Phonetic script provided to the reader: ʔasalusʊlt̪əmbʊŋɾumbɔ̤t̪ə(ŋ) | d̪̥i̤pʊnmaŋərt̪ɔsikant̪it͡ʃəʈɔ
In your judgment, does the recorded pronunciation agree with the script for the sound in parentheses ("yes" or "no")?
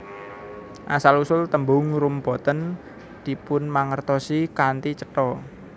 no